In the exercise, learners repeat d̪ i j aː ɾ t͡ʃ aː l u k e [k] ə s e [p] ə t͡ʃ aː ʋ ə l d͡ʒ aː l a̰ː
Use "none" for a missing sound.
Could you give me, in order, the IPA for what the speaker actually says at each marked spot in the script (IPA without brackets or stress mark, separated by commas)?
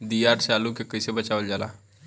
k, b